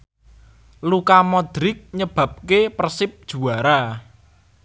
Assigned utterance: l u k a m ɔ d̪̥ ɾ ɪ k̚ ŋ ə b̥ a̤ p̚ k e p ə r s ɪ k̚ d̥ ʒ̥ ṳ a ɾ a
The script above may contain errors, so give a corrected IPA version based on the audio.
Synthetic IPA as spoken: l u k a m ɔ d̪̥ ɾ ɪ k̚ ɲ ə b̥ a̤ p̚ k e p ə r s ɪ p̚ d̥ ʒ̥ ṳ a ɾ a